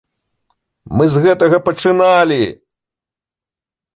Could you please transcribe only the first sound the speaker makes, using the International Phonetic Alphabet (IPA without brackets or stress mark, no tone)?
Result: m